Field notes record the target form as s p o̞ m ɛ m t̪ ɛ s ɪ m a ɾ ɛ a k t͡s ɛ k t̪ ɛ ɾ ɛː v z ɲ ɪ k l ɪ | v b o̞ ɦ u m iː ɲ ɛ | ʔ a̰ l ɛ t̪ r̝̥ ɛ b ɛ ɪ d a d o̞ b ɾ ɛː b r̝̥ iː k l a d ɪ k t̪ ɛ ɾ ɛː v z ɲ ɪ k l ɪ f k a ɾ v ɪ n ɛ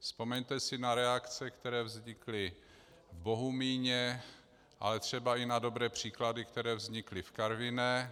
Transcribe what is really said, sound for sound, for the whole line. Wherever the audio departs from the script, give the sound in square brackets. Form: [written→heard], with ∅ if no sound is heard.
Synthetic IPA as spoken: s p o̞ m ɛ [m→ɲ] t̪ ɛ s ɪ [m→n] a ɾ ɛ a k t͡s ɛ k t̪ ɛ ɾ ɛː v z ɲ ɪ k l ɪ | v b o̞ ɦ u m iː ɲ ɛ | ʔ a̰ l ɛ t̪ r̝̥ ɛ b [ɛ→a] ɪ [d→n] a d o̞ b ɾ ɛː [b→p] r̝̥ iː k l a d ɪ k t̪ ɛ ɾ ɛː v z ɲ ɪ k l ɪ f k a ɾ v ɪ n ɛ

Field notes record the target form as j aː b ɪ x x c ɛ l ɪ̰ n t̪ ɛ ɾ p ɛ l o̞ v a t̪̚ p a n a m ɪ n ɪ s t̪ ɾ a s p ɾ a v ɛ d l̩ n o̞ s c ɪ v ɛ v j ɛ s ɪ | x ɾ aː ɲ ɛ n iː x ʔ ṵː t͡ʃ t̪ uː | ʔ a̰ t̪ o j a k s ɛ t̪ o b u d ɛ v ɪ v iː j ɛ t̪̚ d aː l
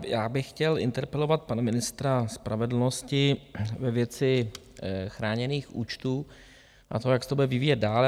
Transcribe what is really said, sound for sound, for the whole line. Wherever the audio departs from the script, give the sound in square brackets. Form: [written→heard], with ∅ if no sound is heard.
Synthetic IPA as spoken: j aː b ɪ x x c ɛ l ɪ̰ n t̪ ɛ ɾ p ɛ l o̞ v a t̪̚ p a n a m ɪ n ɪ s t̪ ɾ a s p ɾ a v ɛ d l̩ n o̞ s c ɪ v ɛ v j ɛ [s→t͡s] ɪ | x ɾ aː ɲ ɛ n iː x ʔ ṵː t͡ʃ t̪ uː | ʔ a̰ t̪ o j a k s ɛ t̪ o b u d ɛ v ɪ v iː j ɛ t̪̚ d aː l

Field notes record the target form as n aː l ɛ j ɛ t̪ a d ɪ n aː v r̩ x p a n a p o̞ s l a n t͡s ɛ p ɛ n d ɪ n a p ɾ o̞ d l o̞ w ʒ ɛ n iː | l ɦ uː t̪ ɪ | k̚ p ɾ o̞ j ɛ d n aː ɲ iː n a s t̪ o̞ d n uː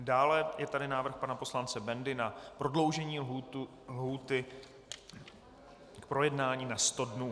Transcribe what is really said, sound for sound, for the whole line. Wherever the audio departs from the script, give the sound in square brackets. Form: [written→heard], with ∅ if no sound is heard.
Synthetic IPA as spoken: [n→d] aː l ɛ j ɛ t̪ a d ɪ n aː v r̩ x p a n a p o̞ s l a n t͡s ɛ [p→b] ɛ n d ɪ n a p ɾ o̞ d l o̞ w ʒ ɛ [n→ɲ] iː | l ɦ uː t̪ ɪ | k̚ p ɾ o̞ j ɛ d n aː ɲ iː n a s t̪ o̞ d n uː

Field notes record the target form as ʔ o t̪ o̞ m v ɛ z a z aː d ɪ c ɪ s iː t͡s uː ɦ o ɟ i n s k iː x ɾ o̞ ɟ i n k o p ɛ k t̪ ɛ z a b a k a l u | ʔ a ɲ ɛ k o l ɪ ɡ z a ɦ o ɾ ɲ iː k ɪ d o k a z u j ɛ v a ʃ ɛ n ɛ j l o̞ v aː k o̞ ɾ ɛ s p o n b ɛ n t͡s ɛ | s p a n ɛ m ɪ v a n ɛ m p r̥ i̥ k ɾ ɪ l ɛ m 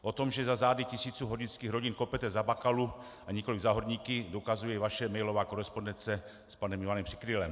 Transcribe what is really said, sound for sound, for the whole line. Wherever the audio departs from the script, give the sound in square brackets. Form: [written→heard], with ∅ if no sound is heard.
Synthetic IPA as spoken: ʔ o t̪ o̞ m [v→ʒ] ɛ z a z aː d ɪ c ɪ s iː t͡s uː ɦ o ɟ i n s k iː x ɾ o̞ ɟ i n k o p ɛ [k→∅] t̪ ɛ z a b a k a l u | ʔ a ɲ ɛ k o l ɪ ɡ z a ɦ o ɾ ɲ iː k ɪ d o k a z u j ɛ v a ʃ ɛ [n→m] ɛ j l o̞ v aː k o̞ ɾ ɛ s p o n [b→d] ɛ n t͡s ɛ | s p a n ɛ m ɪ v a n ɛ m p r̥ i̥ k ɾ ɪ l ɛ m

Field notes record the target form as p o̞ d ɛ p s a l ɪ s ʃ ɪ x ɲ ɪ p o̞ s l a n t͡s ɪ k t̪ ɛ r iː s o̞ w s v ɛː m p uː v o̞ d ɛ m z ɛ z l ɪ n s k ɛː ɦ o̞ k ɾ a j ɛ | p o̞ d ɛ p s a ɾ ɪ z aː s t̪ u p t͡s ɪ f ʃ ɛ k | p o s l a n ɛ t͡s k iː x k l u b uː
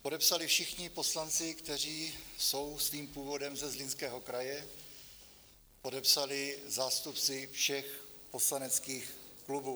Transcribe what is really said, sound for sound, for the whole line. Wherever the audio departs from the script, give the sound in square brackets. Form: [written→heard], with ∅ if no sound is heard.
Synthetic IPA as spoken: p o̞ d ɛ p s a l ɪ [s→f] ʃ ɪ x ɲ ɪ p o̞ s l a n t͡s ɪ k t̪ ɛ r iː s o̞ w s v [ɛː→iː] m p uː v o̞ d ɛ m z ɛ z l ɪ n s k ɛː ɦ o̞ k ɾ a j ɛ | p o̞ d ɛ p s a [ɾ→l] ɪ z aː s t̪ u p t͡s ɪ f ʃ ɛ [k→x] | p o s l a n ɛ t͡s k iː x k l u b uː

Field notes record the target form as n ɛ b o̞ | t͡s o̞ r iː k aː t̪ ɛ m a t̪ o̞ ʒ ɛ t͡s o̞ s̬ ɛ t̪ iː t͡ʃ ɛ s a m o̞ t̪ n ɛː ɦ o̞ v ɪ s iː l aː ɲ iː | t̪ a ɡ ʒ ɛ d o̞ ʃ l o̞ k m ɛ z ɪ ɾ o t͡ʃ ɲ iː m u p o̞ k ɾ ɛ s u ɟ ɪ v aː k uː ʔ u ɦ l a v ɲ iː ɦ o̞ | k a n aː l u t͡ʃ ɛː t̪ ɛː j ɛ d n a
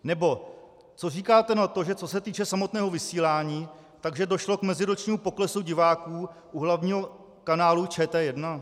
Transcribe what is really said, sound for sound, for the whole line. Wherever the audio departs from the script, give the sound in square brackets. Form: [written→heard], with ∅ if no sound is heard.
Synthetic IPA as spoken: n ɛ b o̞ | t͡s o̞ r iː k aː t̪ ɛ [m→n] a t̪ o̞ ʒ ɛ t͡s o̞ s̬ ɛ t̪ iː t͡ʃ ɛ s a m o̞ t̪ n ɛː ɦ o̞ v ɪ s iː l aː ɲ iː | t̪ a ɡ ʒ ɛ d o̞ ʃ l o̞ k m ɛ z ɪ ɾ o t͡ʃ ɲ iː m u p o̞ k [ɾ→l] ɛ s u ɟ ɪ v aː k uː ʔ u ɦ l a v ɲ iː ɦ o̞ | k a n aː l u t͡ʃ ɛː t̪ ɛː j ɛ d n a

